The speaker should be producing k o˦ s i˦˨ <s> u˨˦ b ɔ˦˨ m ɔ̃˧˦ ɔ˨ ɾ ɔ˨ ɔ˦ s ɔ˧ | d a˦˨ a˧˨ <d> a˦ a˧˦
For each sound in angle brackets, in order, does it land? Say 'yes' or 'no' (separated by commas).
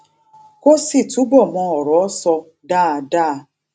no, yes